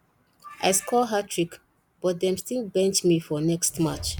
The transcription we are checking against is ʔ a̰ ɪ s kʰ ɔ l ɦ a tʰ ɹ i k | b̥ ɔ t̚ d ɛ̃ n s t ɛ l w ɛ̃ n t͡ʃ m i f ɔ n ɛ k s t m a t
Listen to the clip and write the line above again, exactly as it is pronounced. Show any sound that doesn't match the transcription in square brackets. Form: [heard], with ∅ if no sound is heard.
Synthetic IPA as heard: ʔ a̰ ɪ s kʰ ɔ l ɦ a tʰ ɹ i k | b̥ ɔ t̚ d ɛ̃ [m] s t [i] l [b] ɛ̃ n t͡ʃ m i f ɔ n ɛ k s t m a [t͡ʃ]